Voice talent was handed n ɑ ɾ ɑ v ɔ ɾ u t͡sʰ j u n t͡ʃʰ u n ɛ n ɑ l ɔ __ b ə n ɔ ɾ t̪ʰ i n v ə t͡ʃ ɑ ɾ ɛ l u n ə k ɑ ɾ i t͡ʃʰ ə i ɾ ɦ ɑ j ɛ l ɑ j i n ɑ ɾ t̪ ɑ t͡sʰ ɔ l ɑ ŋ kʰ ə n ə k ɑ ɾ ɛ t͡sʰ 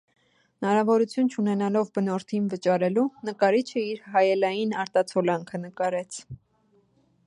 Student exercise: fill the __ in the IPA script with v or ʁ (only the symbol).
v